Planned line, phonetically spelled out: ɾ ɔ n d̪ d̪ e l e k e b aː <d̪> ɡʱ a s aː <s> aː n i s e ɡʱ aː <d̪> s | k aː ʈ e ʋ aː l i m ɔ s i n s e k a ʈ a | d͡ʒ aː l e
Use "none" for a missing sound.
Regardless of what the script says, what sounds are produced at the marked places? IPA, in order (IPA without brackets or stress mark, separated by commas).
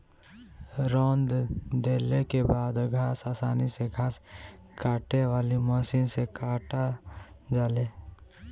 d̪, s, none